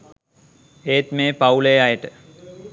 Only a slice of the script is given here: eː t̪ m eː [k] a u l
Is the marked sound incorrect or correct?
incorrect: p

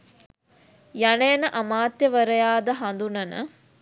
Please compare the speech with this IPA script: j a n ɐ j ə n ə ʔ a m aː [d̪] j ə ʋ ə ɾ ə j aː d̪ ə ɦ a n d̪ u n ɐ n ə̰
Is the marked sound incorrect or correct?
incorrect: t̪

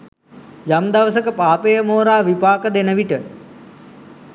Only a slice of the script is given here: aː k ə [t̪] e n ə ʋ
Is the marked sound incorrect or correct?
incorrect: d̪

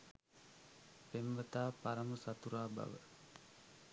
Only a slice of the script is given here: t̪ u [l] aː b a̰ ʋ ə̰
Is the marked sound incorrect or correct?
incorrect: ɾ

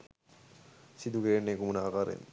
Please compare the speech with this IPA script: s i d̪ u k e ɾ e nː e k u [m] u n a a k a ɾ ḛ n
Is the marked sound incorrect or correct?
correct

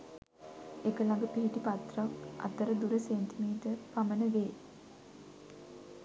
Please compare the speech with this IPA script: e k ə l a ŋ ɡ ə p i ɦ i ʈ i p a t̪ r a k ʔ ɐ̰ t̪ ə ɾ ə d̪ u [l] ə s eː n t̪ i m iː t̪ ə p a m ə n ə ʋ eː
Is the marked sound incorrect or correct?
incorrect: ɾ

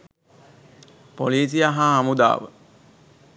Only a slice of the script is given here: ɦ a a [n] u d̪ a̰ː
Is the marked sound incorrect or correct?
incorrect: m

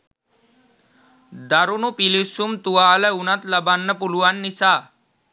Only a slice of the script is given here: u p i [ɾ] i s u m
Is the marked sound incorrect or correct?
incorrect: l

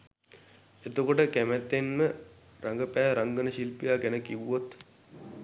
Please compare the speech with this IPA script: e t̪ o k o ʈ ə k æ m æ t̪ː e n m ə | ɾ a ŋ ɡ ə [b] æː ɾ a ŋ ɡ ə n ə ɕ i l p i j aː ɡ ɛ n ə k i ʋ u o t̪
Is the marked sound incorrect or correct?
incorrect: p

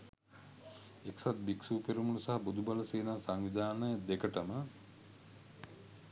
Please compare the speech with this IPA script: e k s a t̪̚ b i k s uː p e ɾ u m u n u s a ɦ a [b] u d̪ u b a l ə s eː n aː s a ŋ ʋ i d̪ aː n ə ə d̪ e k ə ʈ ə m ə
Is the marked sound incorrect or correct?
correct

